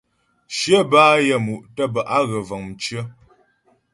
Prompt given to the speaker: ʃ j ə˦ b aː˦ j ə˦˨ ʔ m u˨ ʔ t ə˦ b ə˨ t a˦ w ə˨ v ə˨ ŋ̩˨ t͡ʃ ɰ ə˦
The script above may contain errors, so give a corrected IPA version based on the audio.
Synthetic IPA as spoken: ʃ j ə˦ b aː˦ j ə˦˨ m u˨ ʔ t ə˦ b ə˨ ʔ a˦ ɣ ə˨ v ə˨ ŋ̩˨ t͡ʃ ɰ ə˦